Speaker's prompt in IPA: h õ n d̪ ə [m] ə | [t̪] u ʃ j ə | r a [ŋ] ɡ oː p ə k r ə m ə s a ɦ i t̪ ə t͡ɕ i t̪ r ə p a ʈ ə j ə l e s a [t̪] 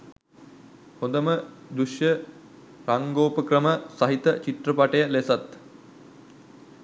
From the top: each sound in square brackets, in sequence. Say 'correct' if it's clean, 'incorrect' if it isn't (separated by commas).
correct, incorrect, correct, correct